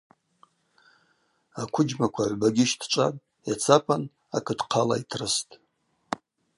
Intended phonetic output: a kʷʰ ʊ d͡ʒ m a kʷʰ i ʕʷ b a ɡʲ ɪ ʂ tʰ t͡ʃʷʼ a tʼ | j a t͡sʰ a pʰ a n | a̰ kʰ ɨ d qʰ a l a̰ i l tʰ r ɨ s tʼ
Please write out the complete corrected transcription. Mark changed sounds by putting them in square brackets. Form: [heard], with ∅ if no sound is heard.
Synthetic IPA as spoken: a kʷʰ ʊ d͡ʒ m a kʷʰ [a] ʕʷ b a ɡʲ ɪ [ʃ] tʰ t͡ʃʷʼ a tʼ | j a t͡sʰ a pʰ a n | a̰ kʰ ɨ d qʰ a l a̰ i [∅] tʰ r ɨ s tʼ